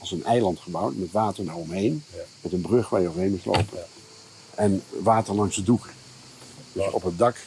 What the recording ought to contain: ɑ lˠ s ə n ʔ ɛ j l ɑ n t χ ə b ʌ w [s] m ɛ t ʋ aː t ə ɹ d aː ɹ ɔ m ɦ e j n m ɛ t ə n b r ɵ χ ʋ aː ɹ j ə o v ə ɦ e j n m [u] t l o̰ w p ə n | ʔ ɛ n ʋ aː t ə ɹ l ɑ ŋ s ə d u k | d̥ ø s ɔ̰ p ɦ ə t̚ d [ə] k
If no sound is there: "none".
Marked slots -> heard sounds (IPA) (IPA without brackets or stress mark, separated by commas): t, u, ɑ